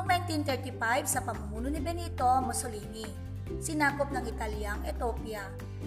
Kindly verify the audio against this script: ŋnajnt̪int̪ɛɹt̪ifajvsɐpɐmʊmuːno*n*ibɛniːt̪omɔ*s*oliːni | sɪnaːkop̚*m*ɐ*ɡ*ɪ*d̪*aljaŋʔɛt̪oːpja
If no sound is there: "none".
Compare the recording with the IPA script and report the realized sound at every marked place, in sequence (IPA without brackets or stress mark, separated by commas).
n, s, n, ŋ, t̪